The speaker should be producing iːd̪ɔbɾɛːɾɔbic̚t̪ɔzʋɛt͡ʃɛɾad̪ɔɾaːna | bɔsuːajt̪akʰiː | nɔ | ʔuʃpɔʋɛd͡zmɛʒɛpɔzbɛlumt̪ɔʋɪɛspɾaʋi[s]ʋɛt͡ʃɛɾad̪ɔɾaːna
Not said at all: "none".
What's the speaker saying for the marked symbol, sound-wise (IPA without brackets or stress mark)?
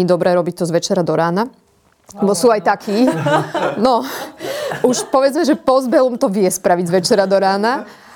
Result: z